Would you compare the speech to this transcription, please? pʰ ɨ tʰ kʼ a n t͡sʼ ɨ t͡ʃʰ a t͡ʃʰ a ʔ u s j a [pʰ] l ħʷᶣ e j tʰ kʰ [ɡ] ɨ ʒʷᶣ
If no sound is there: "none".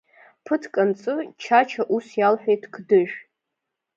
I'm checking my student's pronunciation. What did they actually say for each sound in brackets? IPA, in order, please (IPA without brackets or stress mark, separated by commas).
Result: none, d